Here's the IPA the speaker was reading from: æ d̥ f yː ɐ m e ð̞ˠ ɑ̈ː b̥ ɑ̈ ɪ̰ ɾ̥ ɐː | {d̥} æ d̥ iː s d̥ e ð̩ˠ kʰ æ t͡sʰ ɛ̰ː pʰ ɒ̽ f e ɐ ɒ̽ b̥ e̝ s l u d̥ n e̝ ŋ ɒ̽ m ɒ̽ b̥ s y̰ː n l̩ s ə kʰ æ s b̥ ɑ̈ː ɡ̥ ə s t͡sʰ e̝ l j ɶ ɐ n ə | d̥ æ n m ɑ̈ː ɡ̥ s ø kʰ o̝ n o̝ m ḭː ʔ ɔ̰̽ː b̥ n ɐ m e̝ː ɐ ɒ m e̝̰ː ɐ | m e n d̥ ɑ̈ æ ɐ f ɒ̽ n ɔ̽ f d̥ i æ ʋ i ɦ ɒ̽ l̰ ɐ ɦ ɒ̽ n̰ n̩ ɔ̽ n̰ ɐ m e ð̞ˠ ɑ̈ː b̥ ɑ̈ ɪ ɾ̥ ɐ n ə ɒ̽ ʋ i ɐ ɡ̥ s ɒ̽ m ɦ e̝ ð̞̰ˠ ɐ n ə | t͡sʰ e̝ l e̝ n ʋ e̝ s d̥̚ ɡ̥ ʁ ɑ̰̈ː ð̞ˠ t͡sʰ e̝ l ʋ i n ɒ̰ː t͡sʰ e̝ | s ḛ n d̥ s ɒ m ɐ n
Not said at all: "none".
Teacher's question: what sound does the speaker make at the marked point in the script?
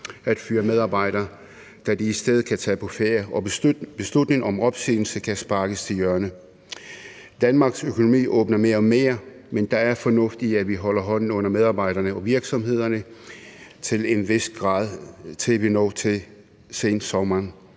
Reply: d̥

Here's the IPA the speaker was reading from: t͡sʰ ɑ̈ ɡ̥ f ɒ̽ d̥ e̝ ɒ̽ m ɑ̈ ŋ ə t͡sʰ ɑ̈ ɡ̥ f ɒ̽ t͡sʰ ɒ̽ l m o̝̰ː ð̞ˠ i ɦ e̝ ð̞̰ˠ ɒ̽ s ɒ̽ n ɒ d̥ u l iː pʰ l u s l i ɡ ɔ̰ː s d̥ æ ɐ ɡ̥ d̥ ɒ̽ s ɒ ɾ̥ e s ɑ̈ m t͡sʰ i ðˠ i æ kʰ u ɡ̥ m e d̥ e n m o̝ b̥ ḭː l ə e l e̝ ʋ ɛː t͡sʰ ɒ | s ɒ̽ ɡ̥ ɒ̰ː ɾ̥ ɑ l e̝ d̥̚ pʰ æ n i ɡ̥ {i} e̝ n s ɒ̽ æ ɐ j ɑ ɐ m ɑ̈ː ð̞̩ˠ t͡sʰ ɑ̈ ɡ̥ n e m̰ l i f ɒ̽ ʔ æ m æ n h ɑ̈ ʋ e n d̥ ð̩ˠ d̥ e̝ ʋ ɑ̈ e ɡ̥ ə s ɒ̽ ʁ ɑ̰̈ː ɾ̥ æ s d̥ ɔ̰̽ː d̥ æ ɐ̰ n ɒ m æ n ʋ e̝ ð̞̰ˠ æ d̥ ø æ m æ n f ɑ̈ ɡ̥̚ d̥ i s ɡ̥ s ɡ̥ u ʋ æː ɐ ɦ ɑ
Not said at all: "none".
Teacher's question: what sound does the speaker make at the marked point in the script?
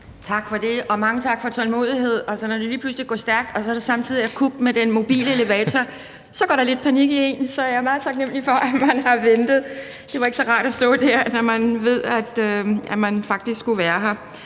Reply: i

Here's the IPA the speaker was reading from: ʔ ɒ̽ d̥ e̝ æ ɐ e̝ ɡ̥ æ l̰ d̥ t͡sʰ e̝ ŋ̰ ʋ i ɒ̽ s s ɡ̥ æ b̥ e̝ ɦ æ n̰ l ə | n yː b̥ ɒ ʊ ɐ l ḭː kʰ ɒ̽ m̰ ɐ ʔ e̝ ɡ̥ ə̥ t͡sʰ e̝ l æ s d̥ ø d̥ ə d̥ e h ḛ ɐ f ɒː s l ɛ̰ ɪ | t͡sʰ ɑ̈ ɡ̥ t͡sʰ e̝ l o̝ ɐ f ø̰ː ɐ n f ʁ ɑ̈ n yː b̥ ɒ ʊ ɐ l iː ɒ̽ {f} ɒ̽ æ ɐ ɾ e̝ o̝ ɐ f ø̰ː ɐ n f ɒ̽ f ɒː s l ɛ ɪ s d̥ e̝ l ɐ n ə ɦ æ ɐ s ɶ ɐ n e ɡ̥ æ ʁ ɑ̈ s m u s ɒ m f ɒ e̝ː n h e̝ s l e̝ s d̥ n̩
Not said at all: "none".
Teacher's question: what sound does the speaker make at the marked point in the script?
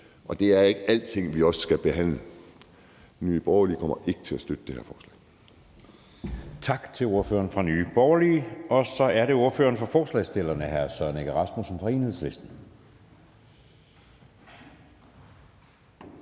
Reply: s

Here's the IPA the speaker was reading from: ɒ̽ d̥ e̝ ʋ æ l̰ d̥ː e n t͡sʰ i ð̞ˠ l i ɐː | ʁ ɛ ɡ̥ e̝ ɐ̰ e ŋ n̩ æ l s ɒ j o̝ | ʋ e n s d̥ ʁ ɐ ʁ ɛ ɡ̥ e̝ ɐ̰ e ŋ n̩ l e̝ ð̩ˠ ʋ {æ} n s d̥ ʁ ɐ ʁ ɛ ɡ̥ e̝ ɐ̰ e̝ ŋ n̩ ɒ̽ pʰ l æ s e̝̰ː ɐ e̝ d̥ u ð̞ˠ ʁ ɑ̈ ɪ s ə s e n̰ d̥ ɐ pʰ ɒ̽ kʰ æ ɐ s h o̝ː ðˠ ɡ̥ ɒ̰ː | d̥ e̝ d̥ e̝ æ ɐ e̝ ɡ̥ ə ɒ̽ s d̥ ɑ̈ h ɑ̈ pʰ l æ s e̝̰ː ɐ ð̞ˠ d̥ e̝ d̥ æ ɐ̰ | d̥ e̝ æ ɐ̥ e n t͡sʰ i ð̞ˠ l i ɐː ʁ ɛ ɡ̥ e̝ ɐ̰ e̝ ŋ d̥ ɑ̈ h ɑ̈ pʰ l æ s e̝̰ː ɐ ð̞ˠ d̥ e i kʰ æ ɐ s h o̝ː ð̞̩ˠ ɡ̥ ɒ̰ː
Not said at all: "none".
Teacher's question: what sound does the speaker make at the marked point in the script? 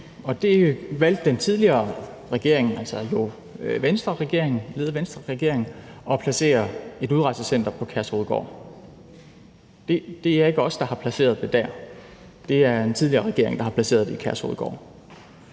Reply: e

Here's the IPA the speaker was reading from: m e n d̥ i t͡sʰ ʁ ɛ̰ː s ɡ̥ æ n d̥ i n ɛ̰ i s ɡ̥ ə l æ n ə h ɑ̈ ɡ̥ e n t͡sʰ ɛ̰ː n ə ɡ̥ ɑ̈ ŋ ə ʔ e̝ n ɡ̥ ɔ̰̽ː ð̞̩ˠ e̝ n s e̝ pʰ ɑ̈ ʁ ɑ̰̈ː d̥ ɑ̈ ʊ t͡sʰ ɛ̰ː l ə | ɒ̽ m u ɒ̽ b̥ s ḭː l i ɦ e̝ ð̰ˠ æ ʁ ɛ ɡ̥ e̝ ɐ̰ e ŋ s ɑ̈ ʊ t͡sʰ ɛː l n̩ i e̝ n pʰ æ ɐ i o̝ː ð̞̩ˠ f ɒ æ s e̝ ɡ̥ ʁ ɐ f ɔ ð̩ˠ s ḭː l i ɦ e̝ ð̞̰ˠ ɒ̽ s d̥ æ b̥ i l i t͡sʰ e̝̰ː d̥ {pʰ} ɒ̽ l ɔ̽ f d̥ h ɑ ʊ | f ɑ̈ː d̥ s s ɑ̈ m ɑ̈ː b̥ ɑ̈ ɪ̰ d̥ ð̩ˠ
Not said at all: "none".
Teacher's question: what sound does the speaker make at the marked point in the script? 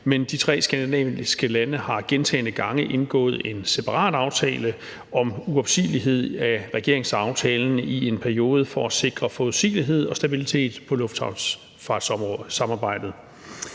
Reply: pʰ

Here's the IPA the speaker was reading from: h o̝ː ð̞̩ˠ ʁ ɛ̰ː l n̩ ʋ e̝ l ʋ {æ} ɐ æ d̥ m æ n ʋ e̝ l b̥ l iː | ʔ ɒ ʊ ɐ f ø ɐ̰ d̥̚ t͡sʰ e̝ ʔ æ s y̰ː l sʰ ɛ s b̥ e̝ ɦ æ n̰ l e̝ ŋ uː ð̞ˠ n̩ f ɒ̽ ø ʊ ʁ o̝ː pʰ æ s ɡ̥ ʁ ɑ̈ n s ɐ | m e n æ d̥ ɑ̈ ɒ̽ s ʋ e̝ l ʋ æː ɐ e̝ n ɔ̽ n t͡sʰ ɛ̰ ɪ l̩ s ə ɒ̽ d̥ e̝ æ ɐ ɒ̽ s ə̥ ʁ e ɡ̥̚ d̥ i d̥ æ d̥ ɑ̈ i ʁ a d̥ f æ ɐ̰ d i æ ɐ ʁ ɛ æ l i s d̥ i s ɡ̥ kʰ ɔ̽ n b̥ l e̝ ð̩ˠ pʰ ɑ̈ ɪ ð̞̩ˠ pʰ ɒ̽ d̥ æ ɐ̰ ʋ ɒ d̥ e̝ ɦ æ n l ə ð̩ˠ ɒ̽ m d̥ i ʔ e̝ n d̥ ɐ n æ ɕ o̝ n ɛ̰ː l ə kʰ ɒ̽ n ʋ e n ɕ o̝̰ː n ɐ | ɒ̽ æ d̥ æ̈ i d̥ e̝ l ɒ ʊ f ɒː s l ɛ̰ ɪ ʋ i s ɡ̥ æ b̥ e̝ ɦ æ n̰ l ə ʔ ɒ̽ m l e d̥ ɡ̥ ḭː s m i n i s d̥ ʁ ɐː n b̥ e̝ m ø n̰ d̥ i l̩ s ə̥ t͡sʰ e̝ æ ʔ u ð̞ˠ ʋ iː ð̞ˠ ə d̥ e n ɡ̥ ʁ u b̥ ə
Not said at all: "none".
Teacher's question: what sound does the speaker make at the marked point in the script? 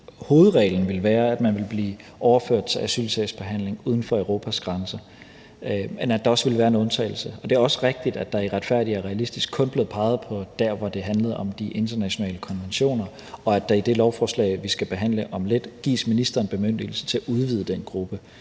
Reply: æː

